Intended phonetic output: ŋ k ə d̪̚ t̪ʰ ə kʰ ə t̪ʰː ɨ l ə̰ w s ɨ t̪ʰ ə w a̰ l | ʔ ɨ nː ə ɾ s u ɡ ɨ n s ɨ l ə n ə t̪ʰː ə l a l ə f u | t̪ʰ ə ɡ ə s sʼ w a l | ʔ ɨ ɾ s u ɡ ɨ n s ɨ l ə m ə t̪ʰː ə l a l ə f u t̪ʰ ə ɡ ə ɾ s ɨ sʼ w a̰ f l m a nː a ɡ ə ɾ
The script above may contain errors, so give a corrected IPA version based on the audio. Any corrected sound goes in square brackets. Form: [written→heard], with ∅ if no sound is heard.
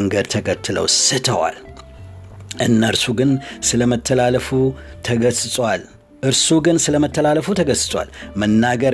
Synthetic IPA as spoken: ŋ [k→ɡ] ə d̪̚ t̪ʰ ə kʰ ə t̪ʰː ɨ l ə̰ w s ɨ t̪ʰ ə w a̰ l | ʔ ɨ nː ə ɾ s u ɡ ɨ n s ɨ l ə [n→m] ə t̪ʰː ə l a l ə f u | t̪ʰ ə ɡ ə s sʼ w a l | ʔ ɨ ɾ s u ɡ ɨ n s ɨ l ə m ə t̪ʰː ə l a l ə f u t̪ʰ ə ɡ ə [ɾ→∅] s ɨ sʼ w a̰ [f→∅] l m [a→ə] nː a ɡ ə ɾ